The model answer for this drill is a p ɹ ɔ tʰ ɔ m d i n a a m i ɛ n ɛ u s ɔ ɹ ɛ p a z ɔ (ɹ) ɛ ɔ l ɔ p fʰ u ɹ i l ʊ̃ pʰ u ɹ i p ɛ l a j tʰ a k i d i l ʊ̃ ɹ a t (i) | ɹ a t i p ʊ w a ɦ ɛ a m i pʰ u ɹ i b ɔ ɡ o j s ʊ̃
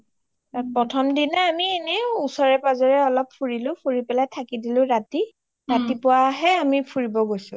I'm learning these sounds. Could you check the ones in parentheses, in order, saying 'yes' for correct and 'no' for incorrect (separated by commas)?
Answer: yes, yes